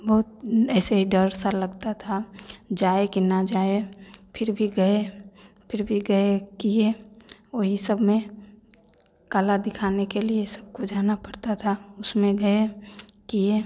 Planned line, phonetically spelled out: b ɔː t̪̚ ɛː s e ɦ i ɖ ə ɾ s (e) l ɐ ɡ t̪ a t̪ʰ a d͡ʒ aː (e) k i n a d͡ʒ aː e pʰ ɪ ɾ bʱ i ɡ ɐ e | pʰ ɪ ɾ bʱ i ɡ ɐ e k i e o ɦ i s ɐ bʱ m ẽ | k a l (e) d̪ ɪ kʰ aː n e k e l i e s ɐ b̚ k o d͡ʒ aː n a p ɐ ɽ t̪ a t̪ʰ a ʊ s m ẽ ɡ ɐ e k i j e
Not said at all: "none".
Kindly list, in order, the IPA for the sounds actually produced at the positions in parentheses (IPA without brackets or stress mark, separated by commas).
a, e, a